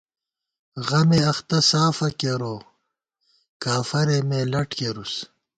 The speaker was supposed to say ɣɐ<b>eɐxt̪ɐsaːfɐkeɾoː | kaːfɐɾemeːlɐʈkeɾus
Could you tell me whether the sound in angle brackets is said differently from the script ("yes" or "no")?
yes